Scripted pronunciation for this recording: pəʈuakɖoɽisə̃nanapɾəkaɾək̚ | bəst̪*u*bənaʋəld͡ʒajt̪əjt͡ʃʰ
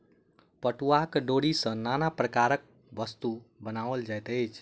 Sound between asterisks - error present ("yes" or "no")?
no